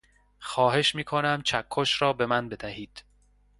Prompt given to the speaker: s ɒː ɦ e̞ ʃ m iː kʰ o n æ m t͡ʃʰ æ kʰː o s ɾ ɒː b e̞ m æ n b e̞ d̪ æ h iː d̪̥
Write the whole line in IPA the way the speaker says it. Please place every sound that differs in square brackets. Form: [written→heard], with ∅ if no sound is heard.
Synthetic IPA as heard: [s→x] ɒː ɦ e̞ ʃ m iː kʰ o n æ m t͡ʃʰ æ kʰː o [s→ʃ] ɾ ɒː b e̞ m æ n b e̞ d̪ æ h iː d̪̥